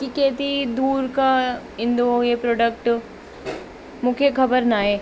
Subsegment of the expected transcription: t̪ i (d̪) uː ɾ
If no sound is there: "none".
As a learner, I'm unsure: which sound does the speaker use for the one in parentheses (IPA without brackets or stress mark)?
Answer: d̪